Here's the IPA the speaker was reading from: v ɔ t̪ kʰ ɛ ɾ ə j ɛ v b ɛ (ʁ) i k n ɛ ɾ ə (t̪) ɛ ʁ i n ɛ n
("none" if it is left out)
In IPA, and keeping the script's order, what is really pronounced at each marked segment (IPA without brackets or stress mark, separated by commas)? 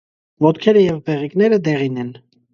ʁ, d̪